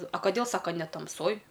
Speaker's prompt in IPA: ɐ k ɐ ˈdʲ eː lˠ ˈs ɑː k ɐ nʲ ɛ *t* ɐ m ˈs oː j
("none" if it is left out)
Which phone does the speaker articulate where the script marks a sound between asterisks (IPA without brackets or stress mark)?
t